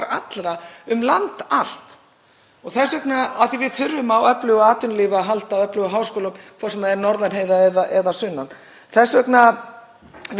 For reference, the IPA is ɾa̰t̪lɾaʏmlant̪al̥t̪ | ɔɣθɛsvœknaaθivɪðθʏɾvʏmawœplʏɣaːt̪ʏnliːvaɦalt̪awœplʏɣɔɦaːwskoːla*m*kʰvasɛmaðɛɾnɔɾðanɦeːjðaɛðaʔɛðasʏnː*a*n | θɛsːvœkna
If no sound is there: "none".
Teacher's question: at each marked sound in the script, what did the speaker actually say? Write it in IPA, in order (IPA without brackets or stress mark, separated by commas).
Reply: m, a